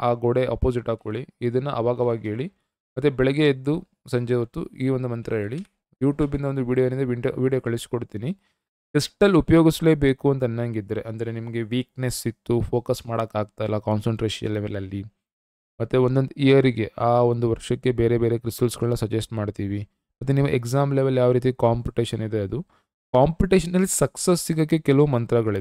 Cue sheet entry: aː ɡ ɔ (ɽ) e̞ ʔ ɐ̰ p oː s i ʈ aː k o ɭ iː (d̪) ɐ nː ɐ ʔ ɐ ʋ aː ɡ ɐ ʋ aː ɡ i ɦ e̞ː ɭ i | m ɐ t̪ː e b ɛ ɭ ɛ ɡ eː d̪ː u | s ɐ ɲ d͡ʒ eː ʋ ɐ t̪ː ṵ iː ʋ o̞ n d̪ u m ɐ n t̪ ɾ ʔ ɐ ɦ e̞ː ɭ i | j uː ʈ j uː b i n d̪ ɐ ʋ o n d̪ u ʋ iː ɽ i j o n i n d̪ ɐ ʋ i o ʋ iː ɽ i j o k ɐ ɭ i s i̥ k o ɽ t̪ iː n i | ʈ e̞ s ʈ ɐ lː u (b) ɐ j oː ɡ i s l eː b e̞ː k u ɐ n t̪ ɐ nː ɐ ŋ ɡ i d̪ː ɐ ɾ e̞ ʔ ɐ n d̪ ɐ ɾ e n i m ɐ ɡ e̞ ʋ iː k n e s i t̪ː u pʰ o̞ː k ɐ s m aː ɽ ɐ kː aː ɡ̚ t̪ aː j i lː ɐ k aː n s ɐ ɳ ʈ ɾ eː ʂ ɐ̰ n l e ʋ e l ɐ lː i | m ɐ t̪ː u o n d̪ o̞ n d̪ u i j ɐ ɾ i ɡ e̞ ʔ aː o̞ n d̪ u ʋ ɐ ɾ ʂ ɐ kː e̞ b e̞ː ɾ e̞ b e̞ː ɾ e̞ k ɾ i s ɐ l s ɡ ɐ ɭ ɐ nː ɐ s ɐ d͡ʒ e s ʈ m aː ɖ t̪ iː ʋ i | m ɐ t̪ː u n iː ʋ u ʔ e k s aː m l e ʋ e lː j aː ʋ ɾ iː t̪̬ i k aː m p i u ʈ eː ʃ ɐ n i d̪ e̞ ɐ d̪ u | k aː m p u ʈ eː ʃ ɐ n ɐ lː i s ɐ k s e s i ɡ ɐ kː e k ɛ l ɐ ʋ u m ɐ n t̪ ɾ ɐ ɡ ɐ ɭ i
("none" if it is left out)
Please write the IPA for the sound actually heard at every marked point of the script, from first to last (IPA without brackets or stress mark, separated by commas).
ɽ, d̪, p